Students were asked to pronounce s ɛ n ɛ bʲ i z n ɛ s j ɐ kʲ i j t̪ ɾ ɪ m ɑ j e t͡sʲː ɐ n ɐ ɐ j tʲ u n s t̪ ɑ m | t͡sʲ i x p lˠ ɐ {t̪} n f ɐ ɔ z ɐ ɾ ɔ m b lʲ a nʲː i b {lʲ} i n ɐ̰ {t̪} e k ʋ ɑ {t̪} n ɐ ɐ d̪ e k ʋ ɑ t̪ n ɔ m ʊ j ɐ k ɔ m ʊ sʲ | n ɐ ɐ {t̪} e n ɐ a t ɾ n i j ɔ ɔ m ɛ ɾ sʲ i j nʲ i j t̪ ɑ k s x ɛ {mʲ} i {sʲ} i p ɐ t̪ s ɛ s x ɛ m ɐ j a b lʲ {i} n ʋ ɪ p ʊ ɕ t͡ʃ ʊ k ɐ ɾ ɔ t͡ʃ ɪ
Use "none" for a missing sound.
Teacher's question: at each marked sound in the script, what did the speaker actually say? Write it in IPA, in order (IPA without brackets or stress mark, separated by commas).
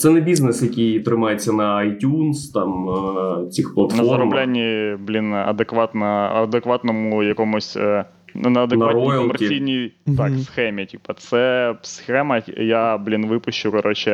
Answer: t̪, lʲ, d̪, t̪, d̪, mʲ, tʲ, i